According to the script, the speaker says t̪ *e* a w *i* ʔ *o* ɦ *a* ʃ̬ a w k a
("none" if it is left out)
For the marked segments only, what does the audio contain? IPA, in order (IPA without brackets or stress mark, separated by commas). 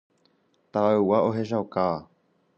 a, a, o, e